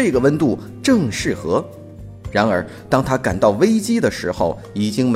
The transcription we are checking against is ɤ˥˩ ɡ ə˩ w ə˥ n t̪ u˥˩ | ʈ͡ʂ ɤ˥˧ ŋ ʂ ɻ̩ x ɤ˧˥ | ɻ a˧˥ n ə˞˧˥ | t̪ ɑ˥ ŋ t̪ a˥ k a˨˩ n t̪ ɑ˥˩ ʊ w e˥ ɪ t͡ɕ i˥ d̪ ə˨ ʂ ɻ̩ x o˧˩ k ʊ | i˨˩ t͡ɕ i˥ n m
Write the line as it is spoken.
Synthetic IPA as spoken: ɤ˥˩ ɡ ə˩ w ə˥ n t̪ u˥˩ | ʈ͡ʂ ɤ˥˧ ŋ ʂ ɻ̩ x ɤ˧˥ | ɻ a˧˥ n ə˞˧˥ | t̪ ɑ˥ ŋ t̪ʰ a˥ k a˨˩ n t̪ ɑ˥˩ ʊ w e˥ ɪ t͡ɕ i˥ d̪ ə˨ ʂ ɻ̩ x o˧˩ ʊ | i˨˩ t͡ɕ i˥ ŋ m